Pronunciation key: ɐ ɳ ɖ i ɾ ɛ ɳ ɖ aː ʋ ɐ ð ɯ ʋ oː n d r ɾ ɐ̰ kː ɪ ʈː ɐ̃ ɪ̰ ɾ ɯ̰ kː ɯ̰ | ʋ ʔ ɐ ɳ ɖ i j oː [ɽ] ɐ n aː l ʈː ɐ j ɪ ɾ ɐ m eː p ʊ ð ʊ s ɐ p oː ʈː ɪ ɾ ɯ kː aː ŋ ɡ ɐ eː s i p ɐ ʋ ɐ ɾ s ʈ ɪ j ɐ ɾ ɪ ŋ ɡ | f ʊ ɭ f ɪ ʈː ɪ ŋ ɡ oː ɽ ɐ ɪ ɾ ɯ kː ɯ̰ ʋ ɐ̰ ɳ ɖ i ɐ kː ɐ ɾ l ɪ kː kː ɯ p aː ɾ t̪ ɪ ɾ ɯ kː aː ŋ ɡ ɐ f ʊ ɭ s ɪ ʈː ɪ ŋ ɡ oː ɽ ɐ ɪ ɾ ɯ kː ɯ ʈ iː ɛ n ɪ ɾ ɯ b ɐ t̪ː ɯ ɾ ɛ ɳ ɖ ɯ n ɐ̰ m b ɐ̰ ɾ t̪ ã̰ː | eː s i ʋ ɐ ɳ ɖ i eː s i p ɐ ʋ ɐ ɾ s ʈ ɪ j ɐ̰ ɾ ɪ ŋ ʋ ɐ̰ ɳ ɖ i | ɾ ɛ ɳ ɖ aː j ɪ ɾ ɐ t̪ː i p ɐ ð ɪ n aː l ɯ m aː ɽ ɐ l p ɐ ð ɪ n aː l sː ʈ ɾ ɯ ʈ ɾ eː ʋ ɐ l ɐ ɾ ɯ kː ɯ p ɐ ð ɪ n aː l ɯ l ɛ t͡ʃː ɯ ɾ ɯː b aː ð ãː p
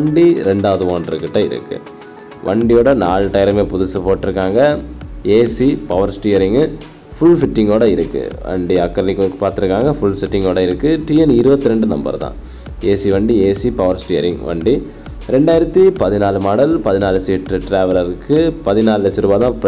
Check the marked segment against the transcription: correct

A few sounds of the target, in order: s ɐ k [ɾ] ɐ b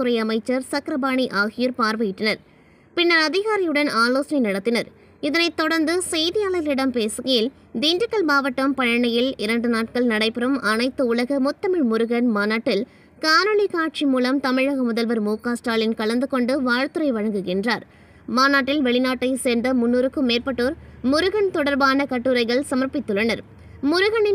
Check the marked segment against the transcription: correct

